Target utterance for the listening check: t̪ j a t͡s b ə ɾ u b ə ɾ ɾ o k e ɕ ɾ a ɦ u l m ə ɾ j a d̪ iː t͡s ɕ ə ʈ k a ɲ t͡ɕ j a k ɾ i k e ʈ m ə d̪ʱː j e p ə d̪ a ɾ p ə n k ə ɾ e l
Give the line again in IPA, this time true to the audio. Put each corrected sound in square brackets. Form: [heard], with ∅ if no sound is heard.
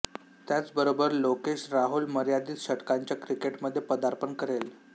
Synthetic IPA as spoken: t̪ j a t͡s b ə ɾ [o] b ə ɾ [l] o k e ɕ ɾ a ɦ u l m ə ɾ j a d̪ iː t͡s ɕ ə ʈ k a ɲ t͡ɕ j a k ɾ i k e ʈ m ə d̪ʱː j e p ə d̪ a ɾ p ə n k ə ɾ e l

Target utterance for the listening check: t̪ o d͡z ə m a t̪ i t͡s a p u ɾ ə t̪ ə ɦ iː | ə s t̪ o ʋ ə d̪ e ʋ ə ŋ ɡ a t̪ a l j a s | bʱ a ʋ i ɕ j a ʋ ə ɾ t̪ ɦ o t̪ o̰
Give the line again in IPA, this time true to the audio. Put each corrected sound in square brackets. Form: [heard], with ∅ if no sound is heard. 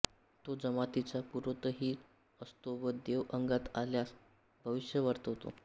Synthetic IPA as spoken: t̪ o d͡z ə m a t̪ i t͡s a p u ɾ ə t̪ ə ɦ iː | ə s t̪ o ʋ ə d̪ e ʋ ə ŋ ɡ a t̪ a l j a s | bʱ [ə] ʋ i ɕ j [ə] ʋ ə ɾ t̪ ɦ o t̪ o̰

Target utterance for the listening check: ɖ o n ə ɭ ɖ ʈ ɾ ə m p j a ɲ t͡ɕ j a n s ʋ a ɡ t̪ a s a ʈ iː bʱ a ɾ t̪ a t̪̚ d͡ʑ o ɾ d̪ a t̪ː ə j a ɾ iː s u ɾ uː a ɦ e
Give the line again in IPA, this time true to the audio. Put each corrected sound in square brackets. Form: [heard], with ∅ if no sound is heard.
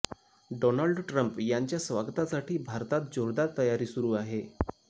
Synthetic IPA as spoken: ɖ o n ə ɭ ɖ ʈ ɾ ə m p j a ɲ t͡ɕ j a [∅] s ʋ a ɡ t̪ a s a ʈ iː bʱ a ɾ t̪ a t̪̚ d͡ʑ o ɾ d̪ a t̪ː ə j a ɾ iː s u ɾ uː a ɦ e

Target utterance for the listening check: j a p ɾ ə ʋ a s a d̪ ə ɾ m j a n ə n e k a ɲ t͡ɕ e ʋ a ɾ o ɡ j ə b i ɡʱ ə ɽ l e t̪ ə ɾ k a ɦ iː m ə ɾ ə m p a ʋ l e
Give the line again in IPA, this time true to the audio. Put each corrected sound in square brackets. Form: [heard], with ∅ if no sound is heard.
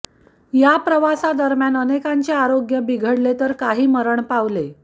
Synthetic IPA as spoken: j a p ɾ ə ʋ a s a d̪ ə ɾ m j a n ə n e k a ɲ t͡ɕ e [∅] a ɾ o ɡ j ə b i ɡʱ ə ɽ l e t̪ ə ɾ k a ɦ iː m ə ɾ ə [ɳ] p a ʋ l e

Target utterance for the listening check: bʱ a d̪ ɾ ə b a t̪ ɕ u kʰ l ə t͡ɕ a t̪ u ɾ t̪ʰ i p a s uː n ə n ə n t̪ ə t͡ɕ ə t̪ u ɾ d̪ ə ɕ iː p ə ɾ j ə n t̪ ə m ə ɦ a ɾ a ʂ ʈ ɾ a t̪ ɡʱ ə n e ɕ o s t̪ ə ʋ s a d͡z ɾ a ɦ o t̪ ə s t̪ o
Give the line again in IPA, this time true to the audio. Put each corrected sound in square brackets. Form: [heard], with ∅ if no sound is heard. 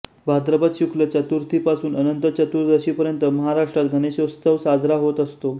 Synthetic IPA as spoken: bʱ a d̪ ɾ ə b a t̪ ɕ u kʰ l ə t͡ɕ a t̪ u ɾ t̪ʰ i p a s uː n ə n ə n t̪ ə t͡ɕ ə t̪ u ɾ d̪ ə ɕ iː p ə ɾ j ə n t̪ ə m ə ɦ a ɾ a ʂ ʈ ɾ a t̪ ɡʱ ə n e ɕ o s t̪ ə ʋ s a d͡z ɾ a ɦ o t̪ ə s t̪ o

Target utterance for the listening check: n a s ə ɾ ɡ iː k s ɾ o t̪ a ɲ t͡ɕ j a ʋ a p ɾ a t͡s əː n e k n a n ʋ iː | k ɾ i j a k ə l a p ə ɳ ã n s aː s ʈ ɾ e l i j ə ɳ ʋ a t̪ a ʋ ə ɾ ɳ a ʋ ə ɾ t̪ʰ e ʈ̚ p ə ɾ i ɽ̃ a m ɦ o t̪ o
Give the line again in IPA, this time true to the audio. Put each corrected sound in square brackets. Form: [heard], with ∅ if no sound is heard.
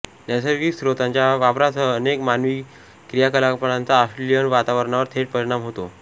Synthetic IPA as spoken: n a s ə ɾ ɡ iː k s ɾ o t̪ a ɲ t͡ɕ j a ʋ a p ɾ a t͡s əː n e k [m] a n ʋ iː | k ɾ i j a k ə l a p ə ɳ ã n [t͡s] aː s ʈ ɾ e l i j ə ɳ ʋ a t̪ a ʋ ə ɾ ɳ a ʋ ə ɾ t̪ʰ e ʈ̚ p ə ɾ i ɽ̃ a m ɦ o t̪ o

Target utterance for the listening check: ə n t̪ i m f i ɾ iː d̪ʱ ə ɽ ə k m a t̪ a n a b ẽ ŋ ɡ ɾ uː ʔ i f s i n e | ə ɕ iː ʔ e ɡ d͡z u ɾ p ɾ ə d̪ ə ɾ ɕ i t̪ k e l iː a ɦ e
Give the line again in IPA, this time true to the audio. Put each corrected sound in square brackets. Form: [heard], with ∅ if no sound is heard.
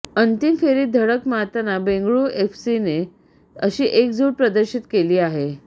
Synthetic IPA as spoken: ə n t̪ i m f [e] ɾ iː d̪ʱ ə ɽ ə k m a t̪ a n a b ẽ ŋ ɡ [ɭ] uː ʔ [e] f s i n e | ə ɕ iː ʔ e [k] d͡z u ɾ p ɾ ə d̪ ə ɾ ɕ i t̪ k e l iː a ɦ e

